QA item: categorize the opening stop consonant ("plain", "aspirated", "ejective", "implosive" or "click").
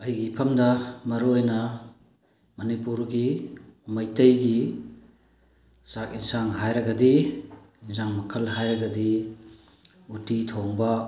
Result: plain